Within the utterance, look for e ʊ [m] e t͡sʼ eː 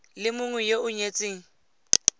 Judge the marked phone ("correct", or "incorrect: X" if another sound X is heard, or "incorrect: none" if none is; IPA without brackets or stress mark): incorrect: ɲ